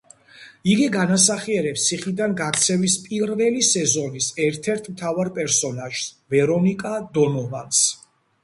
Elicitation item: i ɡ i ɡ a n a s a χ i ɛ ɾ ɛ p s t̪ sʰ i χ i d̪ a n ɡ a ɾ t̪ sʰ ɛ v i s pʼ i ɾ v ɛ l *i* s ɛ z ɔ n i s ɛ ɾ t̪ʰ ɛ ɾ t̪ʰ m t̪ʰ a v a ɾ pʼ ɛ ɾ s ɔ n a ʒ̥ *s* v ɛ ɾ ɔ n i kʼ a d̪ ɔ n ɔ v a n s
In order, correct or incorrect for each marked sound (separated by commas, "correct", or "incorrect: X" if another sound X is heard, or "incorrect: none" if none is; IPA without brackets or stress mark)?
correct, correct